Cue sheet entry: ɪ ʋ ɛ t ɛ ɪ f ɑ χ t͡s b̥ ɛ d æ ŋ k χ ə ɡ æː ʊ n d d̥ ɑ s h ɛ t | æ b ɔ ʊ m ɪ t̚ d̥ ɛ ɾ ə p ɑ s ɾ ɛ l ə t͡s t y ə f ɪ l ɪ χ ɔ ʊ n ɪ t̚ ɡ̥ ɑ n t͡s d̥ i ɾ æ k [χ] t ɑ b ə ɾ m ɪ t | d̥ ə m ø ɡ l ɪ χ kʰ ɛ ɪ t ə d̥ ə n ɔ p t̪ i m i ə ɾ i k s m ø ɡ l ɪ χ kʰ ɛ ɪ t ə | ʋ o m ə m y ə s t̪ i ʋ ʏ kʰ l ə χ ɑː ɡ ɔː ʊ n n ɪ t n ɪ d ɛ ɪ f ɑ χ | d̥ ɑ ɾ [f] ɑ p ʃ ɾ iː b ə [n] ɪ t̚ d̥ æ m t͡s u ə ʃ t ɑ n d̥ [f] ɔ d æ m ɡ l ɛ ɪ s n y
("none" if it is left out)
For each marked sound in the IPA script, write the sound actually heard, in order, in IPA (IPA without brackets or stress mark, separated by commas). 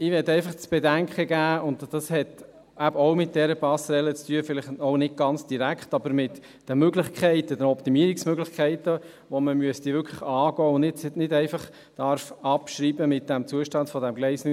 χ, f, m, f